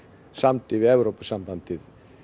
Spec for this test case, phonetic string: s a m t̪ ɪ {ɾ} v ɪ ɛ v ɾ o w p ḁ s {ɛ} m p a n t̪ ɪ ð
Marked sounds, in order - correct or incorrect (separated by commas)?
incorrect, incorrect